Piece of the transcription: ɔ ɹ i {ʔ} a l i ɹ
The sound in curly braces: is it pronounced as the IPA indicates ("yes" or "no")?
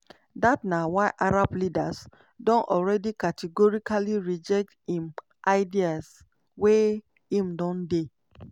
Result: no